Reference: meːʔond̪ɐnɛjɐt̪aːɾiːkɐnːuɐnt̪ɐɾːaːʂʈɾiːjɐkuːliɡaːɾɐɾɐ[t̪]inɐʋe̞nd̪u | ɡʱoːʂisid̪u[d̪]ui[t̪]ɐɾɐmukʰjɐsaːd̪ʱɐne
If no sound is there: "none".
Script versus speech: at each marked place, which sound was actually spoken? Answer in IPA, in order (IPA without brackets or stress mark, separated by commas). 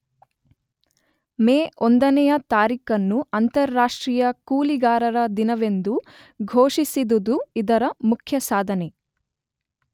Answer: d̪, d̪, d̪